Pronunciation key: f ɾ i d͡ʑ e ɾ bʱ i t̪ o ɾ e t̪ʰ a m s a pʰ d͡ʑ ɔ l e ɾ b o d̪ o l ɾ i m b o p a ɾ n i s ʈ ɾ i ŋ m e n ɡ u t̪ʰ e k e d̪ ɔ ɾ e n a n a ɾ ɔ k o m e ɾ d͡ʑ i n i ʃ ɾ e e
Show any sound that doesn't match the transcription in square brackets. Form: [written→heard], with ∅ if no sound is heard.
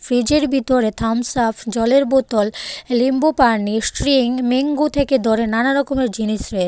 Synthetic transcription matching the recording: f ɾ i d͡ʑ e ɾ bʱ i t̪ o ɾ e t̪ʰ a m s a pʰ d͡ʑ ɔ l e ɾ b o [d̪→t̪] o l [ɾ→l] i m b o p a ɾ n i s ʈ ɾ i ŋ m e [n→ŋ] ɡ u t̪ʰ e k e d̪ ɔ ɾ e n a n a ɾ ɔ k o m e ɾ d͡ʑ i n i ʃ ɾ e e